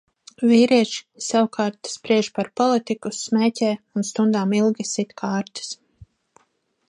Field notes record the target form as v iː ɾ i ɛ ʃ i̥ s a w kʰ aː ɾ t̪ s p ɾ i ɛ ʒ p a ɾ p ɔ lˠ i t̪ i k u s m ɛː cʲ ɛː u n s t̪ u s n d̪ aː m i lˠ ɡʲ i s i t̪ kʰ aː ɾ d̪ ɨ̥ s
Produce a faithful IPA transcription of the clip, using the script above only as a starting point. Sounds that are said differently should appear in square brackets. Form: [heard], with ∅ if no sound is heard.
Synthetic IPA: v iː ɾ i ɛ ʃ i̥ s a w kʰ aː ɾ t̪ s p ɾ i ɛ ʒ p a ɾ p ɔ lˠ i t̪ i k u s m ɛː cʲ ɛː u n s t̪ u [∅] n d̪ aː m i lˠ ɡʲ i s i t̪ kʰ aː ɾ [t̪] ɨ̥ s